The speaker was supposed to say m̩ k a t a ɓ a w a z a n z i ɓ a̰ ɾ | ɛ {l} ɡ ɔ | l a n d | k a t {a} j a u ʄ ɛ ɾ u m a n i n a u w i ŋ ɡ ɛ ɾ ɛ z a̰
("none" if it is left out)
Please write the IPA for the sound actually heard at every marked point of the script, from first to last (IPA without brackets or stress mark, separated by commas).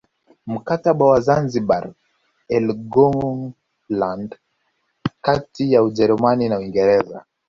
l, i